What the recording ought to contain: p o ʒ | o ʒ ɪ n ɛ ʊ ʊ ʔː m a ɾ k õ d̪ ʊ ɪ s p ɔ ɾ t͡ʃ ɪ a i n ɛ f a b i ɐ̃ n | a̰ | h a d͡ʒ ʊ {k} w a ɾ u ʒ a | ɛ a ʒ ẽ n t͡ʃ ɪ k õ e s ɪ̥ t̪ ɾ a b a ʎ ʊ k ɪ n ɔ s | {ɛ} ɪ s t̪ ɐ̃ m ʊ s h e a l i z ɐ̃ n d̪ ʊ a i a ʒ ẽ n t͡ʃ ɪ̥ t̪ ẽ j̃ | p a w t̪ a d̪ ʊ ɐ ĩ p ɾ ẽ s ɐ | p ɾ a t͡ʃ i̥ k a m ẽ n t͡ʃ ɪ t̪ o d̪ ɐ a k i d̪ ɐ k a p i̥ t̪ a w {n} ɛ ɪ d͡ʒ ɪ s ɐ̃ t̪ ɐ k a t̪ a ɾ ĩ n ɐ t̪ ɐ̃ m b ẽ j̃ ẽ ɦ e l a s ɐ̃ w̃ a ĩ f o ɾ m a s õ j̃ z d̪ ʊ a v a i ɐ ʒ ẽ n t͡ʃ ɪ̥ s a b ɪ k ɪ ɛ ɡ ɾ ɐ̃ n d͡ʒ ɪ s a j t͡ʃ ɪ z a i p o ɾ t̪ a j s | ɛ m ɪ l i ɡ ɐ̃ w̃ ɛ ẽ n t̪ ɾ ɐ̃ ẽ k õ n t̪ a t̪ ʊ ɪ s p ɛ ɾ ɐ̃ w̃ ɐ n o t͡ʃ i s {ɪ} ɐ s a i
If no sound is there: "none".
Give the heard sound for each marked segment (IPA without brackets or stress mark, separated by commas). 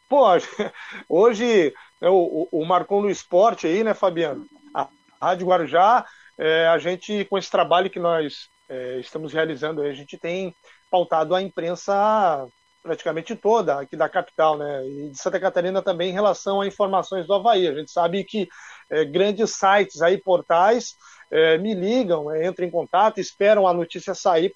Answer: ɡ, ɛ, n, i